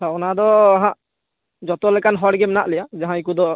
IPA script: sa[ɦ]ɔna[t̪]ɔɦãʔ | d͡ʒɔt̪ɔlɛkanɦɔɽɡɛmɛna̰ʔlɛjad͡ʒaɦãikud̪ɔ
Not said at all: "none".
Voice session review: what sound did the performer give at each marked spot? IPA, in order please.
none, d̪

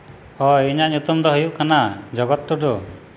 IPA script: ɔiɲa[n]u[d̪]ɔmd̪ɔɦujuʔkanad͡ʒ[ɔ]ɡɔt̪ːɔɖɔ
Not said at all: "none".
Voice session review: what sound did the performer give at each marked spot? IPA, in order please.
ɲ, t̪, ɔ

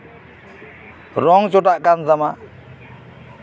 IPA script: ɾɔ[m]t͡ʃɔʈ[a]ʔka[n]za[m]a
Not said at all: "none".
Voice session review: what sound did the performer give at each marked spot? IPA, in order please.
ŋ, a, n, m

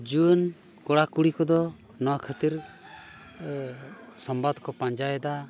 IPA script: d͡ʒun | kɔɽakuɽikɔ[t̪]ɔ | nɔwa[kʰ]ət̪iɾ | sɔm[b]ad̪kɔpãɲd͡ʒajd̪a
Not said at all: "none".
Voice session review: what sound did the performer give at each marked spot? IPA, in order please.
d̪, kʰ, b

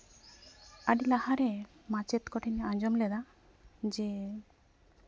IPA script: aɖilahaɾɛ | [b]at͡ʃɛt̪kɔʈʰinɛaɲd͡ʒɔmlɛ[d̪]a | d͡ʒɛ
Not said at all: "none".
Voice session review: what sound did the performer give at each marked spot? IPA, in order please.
m, d̪

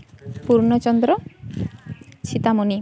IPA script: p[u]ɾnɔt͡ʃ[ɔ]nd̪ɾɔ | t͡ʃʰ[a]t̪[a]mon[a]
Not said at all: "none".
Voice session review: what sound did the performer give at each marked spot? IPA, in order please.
u, ɔ, i, a, i

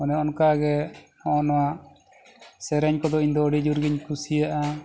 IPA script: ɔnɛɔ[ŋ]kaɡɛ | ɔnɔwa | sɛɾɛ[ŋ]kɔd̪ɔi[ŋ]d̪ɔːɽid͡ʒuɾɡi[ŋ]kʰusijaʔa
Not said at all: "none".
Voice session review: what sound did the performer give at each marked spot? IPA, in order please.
n, ɲ, ɲ, ɲ

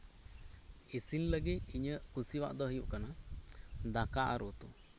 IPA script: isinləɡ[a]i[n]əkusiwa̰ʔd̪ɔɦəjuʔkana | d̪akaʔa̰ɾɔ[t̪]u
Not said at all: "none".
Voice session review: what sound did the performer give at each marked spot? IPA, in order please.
i, ɲ, t̪

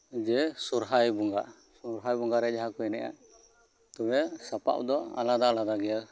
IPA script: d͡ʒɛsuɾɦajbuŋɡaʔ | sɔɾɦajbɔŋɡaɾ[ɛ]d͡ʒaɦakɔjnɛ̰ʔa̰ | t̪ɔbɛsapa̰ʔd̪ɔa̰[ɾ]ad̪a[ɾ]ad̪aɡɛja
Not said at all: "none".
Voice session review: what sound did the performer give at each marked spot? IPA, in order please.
ɛ, l, l

